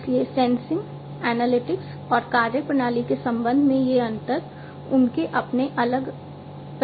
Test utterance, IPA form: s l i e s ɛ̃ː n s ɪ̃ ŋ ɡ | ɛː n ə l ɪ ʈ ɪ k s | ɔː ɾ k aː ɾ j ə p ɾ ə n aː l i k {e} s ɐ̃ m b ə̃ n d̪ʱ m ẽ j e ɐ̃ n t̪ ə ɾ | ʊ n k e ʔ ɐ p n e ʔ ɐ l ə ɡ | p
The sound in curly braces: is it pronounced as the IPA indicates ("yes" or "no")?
yes